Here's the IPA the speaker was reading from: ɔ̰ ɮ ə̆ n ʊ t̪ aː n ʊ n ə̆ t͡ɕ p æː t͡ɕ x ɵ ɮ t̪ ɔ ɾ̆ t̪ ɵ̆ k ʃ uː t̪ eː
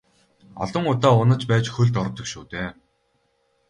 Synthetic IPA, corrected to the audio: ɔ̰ ɮ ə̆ ŋ ʊ t̪ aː ʊ n ə̆ t͡ɕ p æː t͡ɕ x ɵ ɮ t̪ ɔ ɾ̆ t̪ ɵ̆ k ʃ uː t̪ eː